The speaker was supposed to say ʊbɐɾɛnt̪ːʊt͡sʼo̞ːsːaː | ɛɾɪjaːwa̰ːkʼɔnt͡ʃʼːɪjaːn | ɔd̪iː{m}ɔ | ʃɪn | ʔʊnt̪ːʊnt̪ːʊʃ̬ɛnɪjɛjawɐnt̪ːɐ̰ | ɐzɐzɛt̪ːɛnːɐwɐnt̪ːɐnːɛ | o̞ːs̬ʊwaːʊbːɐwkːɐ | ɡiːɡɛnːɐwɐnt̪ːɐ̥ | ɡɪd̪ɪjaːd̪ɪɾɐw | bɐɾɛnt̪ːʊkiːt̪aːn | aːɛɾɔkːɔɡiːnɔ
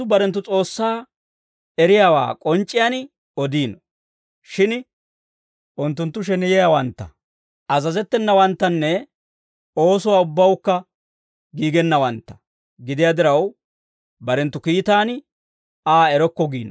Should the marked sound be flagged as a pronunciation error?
yes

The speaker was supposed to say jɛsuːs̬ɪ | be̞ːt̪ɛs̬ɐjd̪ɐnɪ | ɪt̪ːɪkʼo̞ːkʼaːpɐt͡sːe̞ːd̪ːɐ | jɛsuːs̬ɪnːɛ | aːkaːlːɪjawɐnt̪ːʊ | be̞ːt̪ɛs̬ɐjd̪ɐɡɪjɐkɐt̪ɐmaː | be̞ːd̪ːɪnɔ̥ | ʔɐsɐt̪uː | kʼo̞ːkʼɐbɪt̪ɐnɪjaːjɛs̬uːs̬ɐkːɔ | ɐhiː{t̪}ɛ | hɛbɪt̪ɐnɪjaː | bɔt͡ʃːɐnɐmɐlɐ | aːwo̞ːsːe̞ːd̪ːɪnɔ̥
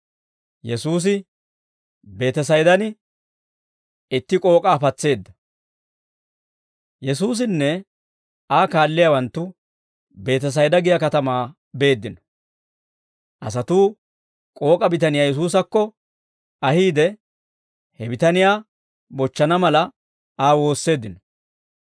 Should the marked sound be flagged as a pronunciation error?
yes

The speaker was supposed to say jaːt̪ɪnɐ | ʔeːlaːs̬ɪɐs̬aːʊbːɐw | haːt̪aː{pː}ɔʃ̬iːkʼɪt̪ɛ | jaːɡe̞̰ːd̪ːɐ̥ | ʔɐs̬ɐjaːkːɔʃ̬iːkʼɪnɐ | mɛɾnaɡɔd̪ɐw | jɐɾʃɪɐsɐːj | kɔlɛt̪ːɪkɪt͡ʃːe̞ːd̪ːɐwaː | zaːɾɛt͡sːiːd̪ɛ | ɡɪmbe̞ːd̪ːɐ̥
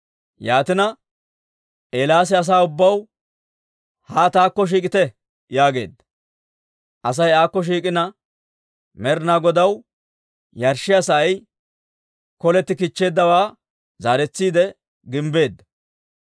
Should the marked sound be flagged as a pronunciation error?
yes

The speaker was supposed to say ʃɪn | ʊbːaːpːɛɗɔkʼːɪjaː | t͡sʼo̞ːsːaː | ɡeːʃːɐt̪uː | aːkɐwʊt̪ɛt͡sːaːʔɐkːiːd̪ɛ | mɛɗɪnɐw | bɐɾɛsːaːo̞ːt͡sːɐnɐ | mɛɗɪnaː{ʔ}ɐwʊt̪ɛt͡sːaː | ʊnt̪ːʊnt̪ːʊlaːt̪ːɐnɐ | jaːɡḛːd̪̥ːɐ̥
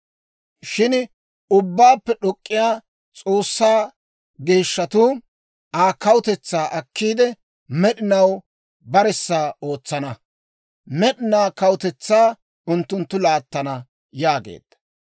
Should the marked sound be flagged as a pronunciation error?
yes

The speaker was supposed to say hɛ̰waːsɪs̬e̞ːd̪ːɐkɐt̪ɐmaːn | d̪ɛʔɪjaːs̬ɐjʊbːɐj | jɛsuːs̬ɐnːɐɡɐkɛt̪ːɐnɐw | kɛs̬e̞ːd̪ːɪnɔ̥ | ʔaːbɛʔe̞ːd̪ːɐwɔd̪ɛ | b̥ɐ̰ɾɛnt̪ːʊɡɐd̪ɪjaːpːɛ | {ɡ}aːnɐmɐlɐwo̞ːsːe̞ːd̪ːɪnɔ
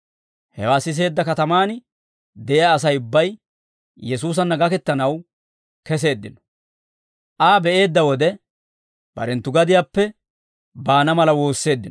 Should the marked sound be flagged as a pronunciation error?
yes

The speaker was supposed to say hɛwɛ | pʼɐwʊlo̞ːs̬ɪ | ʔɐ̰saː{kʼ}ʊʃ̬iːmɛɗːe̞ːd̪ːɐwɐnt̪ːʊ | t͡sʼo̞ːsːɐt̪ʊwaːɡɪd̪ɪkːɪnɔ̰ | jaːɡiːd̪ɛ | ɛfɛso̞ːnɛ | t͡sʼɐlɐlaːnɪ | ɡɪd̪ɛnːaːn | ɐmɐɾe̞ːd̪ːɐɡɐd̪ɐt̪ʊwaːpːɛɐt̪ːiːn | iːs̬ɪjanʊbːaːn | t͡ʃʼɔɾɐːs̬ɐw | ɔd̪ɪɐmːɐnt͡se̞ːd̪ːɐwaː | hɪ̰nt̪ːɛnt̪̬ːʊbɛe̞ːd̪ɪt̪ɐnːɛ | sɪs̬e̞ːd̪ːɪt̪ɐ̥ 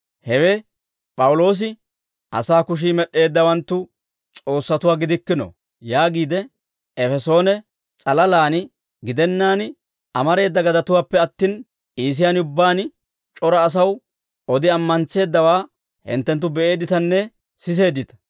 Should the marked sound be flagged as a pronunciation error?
yes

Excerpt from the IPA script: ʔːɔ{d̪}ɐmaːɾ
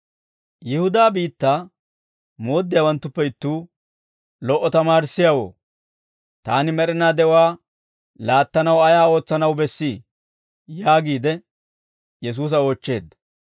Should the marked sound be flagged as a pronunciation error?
yes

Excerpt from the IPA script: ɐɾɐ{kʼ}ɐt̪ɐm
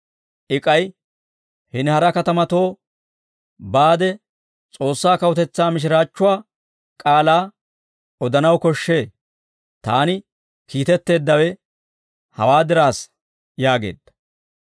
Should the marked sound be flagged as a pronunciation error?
yes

